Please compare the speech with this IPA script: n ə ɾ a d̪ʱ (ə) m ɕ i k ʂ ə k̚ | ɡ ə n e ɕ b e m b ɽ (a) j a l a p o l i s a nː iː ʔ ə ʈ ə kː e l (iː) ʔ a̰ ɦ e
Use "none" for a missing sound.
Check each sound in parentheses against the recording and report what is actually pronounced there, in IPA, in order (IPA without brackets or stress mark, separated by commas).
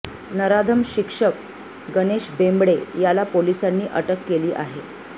ə, e, iː